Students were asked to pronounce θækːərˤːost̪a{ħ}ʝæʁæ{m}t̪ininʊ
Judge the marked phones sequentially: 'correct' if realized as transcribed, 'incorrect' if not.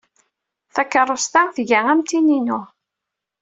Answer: incorrect, correct

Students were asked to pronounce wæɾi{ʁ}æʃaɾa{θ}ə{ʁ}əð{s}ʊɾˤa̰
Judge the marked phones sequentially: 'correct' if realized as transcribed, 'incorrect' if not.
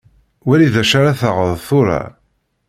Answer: incorrect, correct, correct, incorrect

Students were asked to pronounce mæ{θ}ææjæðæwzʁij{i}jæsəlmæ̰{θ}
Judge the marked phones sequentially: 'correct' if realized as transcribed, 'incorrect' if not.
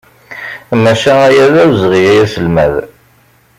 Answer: incorrect, incorrect, incorrect

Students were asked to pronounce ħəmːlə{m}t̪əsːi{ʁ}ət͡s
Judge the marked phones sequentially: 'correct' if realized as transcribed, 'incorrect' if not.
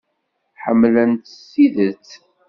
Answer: incorrect, incorrect

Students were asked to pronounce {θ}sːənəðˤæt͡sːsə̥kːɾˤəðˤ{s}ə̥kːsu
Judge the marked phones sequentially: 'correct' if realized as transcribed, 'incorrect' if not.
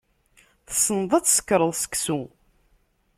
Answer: correct, correct

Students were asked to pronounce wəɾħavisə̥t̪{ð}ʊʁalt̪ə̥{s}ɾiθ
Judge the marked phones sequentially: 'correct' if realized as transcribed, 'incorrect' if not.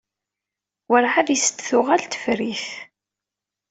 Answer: incorrect, incorrect

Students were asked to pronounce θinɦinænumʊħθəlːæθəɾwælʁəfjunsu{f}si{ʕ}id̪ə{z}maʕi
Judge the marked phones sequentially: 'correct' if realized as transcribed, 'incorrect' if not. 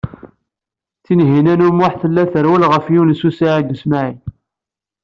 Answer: incorrect, correct, incorrect

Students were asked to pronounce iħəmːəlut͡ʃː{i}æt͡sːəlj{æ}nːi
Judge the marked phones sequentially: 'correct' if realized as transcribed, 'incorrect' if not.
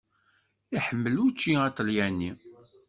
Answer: correct, correct

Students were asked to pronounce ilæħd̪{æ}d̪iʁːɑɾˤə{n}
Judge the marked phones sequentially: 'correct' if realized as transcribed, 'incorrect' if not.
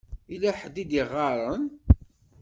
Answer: incorrect, correct

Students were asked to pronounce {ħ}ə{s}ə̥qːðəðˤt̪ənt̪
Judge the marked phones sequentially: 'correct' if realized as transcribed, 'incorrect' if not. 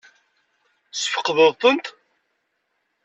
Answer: incorrect, incorrect

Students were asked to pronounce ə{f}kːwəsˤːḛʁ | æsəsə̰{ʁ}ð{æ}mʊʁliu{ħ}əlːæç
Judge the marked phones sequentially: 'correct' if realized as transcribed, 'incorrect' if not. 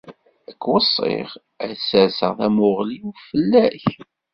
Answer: incorrect, correct, correct, incorrect

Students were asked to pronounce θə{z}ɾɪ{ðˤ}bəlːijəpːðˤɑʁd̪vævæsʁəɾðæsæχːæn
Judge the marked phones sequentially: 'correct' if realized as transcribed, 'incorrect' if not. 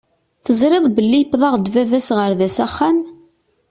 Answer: correct, correct

